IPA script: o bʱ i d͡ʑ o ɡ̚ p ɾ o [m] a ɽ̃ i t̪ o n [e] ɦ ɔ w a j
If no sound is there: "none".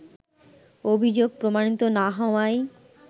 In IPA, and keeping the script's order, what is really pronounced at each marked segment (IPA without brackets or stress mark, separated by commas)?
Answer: m, a